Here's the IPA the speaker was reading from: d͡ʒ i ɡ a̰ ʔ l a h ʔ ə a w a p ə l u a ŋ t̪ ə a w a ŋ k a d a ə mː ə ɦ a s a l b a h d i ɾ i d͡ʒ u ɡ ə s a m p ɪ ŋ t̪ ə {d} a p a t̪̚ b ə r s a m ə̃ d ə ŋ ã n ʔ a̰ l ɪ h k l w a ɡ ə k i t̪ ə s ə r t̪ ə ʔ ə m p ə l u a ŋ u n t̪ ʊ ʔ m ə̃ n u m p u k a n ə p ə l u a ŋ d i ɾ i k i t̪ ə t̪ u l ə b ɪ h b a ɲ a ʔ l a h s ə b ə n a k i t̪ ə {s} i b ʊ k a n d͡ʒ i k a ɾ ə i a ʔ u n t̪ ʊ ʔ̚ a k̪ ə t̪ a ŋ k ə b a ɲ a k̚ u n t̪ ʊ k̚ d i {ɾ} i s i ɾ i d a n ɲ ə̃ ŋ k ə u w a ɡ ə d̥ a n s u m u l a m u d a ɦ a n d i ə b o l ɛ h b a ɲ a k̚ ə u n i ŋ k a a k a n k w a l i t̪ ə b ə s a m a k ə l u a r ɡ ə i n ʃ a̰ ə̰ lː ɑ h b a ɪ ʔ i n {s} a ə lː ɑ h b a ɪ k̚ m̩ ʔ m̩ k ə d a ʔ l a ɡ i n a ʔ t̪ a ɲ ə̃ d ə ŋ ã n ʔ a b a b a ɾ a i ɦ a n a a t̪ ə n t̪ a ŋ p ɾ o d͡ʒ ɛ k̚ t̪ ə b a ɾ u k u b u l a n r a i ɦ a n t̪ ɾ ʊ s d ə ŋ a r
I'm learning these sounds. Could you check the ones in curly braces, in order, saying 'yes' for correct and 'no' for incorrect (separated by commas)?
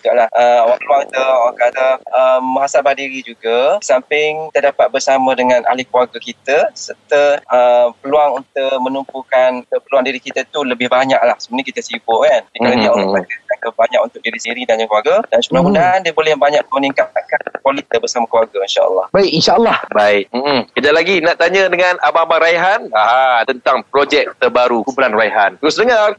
yes, yes, yes, no